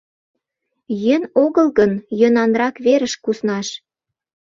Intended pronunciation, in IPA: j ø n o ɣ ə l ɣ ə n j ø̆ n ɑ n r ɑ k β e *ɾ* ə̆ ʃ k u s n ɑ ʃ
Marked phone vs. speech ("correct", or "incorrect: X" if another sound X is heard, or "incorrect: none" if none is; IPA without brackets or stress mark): correct